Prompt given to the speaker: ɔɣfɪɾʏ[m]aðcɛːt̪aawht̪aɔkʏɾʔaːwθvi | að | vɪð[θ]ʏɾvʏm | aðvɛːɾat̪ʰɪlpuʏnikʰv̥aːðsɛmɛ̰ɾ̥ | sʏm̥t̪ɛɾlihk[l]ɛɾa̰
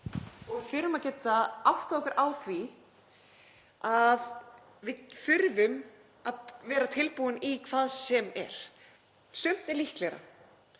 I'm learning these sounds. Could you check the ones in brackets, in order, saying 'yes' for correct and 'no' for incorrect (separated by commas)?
yes, no, yes